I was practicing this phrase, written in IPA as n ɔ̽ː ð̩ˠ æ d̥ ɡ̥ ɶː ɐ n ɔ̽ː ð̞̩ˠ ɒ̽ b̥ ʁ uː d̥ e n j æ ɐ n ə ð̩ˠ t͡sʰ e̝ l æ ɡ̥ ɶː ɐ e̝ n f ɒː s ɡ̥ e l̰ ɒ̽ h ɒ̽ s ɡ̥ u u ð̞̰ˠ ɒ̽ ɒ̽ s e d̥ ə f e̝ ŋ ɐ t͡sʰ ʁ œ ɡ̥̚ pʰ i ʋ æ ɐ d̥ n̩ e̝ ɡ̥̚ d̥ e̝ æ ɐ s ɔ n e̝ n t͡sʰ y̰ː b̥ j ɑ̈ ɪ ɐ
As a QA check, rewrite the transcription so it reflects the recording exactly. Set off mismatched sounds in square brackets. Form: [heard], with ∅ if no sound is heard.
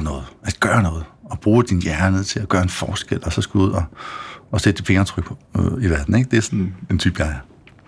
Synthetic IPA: n ɔ̽ː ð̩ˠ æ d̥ ɡ̥ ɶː ɐ n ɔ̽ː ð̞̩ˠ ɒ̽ b̥ ʁ uː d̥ [i] n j æ ɐ n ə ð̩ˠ t͡sʰ e̝ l æ ɡ̥ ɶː ɐ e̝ n f ɒː s ɡ̥ e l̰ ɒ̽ [s] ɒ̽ s ɡ̥ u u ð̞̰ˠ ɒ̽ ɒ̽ s e d̥ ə f e̝ ŋ ɐ t͡sʰ ʁ œ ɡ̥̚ pʰ i ʋ æ ɐ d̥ n̩ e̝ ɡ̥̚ d̥ e̝ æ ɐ s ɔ n e̝ n t͡sʰ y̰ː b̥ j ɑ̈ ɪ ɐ